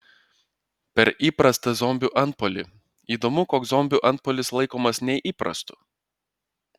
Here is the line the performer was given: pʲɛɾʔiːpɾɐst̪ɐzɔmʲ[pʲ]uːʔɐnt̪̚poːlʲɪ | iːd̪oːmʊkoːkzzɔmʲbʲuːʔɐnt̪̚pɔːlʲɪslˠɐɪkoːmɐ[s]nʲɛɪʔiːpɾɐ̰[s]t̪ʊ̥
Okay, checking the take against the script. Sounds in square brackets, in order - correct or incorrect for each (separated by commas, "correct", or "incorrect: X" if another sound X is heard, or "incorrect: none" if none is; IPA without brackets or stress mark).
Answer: incorrect: bʲ, correct, correct